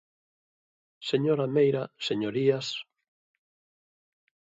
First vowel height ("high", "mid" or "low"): mid